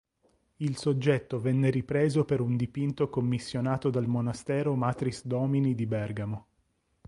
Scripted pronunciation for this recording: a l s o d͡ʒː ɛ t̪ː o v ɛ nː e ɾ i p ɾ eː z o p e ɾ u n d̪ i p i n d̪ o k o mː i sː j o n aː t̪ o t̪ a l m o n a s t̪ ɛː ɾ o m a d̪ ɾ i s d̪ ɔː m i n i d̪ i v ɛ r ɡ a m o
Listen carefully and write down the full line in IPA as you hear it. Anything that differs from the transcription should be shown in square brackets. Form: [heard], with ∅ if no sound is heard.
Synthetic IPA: [i] l s o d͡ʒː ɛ t̪ː o v ɛ nː e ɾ i p ɾ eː z o p e ɾ u n d̪ i p i n [t̪] o k o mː i sː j o n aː t̪ o [d̪] a l m o n a s t̪ ɛː ɾ o m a [t̪] ɾ i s d̪ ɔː m i n i d̪ i [b] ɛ r ɡ a m o